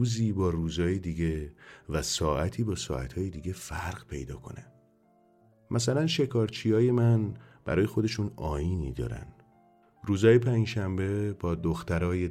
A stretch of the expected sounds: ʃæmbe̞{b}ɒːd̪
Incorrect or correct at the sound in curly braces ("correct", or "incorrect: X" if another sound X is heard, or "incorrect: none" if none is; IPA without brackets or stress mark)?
correct